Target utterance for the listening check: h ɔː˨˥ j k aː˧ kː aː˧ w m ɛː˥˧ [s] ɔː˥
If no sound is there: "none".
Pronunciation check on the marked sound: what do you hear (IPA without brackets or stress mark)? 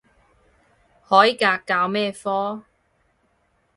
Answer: f